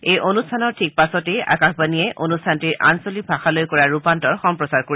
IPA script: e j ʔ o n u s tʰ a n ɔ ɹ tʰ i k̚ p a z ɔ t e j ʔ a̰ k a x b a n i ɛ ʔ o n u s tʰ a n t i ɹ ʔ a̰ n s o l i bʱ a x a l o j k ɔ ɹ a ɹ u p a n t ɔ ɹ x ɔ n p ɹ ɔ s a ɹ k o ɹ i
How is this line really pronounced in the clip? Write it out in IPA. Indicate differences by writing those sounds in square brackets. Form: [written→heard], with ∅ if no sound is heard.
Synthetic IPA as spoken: e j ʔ o n u s tʰ a n ɔ ɹ tʰ i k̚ p a [z→s] ɔ t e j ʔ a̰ k a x b a n i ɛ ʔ o n u s tʰ a n t i ɹ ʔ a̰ n s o l i bʱ a x a l o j k ɔ ɹ a ɹ u p a n t ɔ ɹ x ɔ [n→m] p ɹ ɔ s a ɹ k o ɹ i